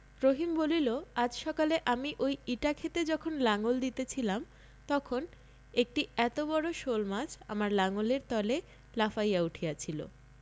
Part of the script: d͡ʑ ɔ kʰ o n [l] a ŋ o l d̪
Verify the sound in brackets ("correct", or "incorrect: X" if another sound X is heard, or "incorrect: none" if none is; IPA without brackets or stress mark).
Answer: correct